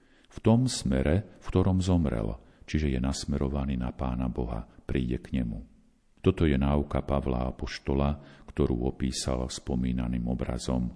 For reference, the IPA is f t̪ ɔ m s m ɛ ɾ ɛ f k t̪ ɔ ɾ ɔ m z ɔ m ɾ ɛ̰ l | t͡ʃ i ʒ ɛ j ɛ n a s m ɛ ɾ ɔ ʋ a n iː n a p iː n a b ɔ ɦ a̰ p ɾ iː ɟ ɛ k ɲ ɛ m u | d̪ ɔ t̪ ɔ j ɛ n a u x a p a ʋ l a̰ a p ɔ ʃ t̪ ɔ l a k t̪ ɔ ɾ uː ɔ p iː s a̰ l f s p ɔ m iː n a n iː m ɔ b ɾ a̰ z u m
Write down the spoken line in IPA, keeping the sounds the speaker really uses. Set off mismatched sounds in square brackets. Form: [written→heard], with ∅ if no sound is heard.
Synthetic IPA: f t̪ ɔ m s m ɛ ɾ ɛ f k t̪ ɔ ɾ ɔ m z ɔ m ɾ ɛ̰ l | t͡ʃ i ʒ ɛ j ɛ n a s m ɛ ɾ ɔ ʋ a n iː n a p [iː→aː] n a b ɔ ɦ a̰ p ɾ iː ɟ ɛ k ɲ ɛ m u | [d̪→t̪] ɔ t̪ ɔ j ɛ n a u [x→k] a p a ʋ l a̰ a p ɔ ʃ t̪ ɔ l a k t̪ ɔ ɾ uː ɔ p iː s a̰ l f s p ɔ m iː n a n iː m ɔ b ɾ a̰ z [u→ɔ] m